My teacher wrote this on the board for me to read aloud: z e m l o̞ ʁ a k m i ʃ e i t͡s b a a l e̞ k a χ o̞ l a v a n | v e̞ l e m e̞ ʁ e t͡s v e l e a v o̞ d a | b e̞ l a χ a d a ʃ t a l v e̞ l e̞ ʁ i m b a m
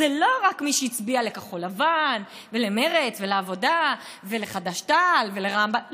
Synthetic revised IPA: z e l o̞ ʁ a k m i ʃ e i t͡s b i a l e̞ k a χ o̞ l a v a n | v e̞ l e m e̞ ʁ e t͡s v e l e a v o̞ d a | v e̞ l e χ a d a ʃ t a l v e̞ l e̞ ʁ a m b a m